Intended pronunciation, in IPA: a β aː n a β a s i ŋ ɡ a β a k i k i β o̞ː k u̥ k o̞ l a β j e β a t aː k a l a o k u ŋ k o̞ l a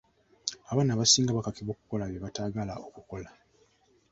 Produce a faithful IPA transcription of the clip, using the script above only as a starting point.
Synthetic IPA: a β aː n a β a s iː ŋ ɡ a β a k a k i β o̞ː k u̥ k o̞ l a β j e β a t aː ɡ a l a o k u k o̞ l a